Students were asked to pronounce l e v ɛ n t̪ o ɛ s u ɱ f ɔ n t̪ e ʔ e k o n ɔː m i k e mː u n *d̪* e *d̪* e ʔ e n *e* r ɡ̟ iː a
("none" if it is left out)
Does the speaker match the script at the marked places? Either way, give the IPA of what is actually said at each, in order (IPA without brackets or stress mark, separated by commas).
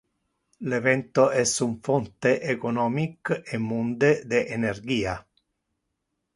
d̪, d̪, e